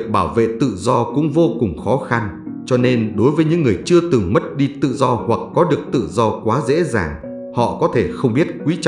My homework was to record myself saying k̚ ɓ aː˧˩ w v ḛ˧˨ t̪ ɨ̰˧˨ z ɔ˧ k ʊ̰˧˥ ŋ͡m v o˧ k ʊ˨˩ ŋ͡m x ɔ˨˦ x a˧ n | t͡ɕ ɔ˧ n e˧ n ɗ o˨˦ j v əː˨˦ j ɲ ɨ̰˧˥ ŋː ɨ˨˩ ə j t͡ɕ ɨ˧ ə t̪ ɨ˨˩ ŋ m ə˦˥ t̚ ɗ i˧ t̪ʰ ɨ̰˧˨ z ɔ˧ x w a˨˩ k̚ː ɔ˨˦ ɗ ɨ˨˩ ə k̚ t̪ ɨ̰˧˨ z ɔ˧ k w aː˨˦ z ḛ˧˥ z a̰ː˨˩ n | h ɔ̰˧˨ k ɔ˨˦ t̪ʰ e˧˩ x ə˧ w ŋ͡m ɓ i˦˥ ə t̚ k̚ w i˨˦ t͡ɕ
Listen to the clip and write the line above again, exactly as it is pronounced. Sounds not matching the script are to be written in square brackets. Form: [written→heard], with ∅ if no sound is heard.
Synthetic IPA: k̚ ɓ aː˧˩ w v ḛ˧˨ t̪ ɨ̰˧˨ z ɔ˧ k ʊ̰˧˥ ŋ͡m v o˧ k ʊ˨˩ ŋ͡m x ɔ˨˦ x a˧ n | t͡ɕ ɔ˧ n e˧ n ɗ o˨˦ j v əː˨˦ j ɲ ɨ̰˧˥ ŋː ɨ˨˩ ə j t͡ɕ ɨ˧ ə t̪ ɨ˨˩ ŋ m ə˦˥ t̚ ɗ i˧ [t̪ʰ→t̪] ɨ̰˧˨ z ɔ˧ [x→h] w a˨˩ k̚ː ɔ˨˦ ɗ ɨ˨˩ ə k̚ t̪ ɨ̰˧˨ z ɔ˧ k w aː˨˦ z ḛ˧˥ z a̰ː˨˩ [n→ŋ] | h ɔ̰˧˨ k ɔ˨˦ t̪ʰ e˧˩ x ə˧ w ŋ͡m ɓ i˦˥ ə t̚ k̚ w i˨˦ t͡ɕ